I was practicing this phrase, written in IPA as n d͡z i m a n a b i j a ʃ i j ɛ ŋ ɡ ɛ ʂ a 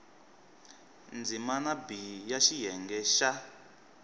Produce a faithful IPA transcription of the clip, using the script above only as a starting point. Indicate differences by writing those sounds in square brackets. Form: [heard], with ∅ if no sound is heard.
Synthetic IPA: n d͡z i m a n a b i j a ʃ i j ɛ ŋ ɡ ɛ [ʃ] a

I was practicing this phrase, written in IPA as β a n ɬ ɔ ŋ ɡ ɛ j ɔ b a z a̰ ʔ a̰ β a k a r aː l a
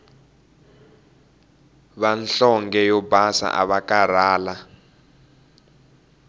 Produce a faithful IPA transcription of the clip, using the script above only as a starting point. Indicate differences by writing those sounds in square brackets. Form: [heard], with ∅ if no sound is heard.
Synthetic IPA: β a n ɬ ɔ ŋ ɡ ɛ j ɔ b a [s] a̰ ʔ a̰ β a k a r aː l a

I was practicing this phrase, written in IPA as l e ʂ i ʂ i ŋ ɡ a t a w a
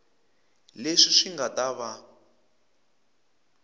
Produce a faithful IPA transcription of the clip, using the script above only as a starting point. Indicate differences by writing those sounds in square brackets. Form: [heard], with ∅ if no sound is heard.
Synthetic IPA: l e ʂ i ʂ i ŋ ɡ a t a [β] a

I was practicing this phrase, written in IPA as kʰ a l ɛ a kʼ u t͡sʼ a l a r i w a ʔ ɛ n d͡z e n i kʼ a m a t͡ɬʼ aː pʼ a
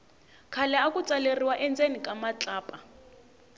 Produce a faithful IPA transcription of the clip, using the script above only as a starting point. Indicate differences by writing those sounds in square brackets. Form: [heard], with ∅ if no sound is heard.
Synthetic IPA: kʰ a l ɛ a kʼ u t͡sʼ a l [e] r i w a ʔ ɛ n d͡z e n i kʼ a m a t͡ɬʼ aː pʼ a

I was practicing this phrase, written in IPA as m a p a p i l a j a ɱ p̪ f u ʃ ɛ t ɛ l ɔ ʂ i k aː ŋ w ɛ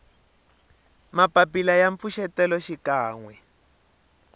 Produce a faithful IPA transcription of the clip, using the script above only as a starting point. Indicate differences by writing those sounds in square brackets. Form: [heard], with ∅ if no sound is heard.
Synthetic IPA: m a p a p i l a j a ɱ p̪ f u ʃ ɛ t ɛ l ɔ [ʃ] i k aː ŋ w ɛ

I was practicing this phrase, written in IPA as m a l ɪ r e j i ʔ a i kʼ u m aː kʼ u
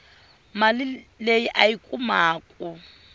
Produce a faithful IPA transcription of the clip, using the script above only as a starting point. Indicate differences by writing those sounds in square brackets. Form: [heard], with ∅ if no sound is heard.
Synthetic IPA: m a l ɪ [l] e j i ʔ a i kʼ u m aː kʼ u

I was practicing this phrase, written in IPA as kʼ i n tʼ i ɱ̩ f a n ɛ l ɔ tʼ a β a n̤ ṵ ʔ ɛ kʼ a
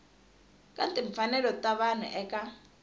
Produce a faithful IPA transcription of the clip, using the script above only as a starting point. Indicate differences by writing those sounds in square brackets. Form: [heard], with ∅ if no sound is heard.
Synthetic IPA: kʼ [a] n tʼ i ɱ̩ f a n ɛ l ɔ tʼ a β a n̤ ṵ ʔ ɛ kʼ a

